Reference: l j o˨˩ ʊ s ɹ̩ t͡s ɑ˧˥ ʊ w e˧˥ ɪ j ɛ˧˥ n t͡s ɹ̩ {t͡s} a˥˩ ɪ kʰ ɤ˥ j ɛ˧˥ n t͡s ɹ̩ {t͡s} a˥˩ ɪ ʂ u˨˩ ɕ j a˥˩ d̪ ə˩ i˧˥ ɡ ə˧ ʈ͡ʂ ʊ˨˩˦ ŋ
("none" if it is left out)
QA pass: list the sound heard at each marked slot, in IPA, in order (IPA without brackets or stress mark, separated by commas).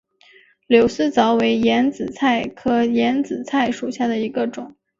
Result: t͡sʰ, t͡sʰ